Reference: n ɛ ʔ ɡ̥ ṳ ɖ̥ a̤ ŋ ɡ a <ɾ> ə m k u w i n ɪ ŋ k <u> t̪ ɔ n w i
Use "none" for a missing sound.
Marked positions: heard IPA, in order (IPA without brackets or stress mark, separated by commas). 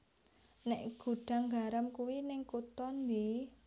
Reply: ɾ, u